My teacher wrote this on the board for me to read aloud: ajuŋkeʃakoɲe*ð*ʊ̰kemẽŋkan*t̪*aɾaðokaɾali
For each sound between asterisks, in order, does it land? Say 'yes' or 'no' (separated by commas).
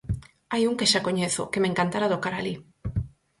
no, yes